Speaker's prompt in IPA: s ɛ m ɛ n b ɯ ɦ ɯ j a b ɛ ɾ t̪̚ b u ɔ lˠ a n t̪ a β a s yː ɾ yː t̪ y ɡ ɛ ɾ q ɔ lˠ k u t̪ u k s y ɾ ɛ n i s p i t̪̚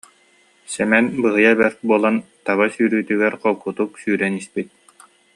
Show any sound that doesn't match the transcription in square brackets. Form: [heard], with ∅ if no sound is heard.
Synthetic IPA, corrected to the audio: s ɛ m ɛ n b ɯ ɦ ɯ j a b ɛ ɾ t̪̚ b u ɔ lˠ a n t̪ a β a s yː ɾ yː t̪ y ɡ ɛ ɾ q ɔ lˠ k u t̪ u k s [yː] ɾ ɛ n i s p i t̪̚

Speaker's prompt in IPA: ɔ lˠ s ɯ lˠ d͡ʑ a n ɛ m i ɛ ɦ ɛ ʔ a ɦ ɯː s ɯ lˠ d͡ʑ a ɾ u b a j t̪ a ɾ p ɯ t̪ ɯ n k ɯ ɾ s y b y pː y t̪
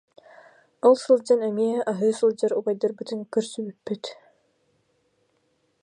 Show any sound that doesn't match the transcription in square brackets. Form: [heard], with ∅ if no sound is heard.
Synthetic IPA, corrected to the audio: ɔ lˠ s ɯ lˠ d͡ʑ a n ɛ m i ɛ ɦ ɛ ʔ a ɦ ɯː s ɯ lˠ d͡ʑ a ɾ u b a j [d̪] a ɾ [b] ɯ t̪ ɯ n k ɯ ɾ s y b y pː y t̪

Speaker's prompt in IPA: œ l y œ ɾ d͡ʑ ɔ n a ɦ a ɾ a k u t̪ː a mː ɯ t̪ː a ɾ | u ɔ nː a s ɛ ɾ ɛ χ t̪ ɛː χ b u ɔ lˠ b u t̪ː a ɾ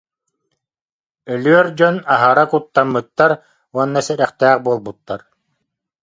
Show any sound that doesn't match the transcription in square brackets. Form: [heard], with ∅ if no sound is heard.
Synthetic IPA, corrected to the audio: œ l y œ ɾ d͡ʑ ɔ n a ɦ a ɾ a k u t̪ː a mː ɯ t̪ː a ɾ | u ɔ nː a s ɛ ɾ ɛ χ t̪ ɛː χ b u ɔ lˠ b u t̪ː a ɾ

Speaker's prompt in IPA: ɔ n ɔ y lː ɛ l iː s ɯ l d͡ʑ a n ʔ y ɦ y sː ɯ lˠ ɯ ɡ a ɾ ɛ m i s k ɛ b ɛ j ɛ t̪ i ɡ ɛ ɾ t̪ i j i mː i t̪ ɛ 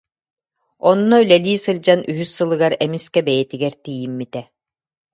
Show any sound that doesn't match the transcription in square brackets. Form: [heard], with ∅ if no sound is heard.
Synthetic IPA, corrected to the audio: ɔ [nː] ɔ y [l] ɛ l iː s ɯ l d͡ʑ a n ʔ y ɦ y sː ɯ lˠ ɯ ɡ a ɾ ɛ m i s k ɛ b ɛ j ɛ t̪ i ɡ ɛ ɾ t̪ i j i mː i t̪ ɛ

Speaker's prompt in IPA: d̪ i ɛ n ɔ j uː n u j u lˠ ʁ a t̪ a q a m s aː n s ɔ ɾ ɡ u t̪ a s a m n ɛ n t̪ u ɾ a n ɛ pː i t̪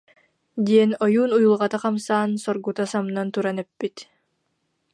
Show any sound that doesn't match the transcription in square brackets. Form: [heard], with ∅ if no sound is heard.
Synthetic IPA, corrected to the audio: d̪ i ɛ n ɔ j uː n u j u lˠ ʁ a t̪ a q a m s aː n s ɔ ɾ ɡ u t̪ a s a m n [a] n t̪ u ɾ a n ɛ pː i t̪

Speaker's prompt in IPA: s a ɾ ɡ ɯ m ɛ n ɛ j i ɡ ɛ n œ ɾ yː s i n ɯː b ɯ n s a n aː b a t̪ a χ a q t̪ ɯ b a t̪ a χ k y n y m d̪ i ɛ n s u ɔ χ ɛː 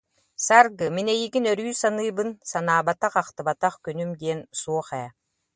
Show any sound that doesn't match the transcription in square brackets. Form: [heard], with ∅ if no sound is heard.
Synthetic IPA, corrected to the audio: s a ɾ ɡ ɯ m [i] n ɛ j i ɡ [i] n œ ɾ yː s [a] n ɯː b ɯ n s a n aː b a t̪ a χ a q t̪ ɯ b a t̪ a χ k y n y m d̪ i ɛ n s u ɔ χ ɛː

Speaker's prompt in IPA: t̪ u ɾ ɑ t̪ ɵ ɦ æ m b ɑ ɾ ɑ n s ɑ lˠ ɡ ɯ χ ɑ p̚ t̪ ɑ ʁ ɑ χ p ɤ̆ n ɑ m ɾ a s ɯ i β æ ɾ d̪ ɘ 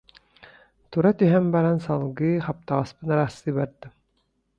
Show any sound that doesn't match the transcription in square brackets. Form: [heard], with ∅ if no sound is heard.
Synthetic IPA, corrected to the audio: t̪ u ɾ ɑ t̪ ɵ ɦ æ m b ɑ ɾ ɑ n s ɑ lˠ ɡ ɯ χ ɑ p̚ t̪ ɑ ʁ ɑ [s] p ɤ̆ n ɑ [∅] ɾ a s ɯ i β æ ɾ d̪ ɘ

